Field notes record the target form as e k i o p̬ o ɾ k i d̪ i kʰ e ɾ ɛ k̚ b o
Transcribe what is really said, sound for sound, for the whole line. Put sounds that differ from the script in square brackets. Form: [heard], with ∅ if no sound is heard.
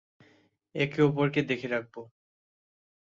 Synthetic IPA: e k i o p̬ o ɾ k [e] d̪ [e] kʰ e ɾ [a] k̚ b o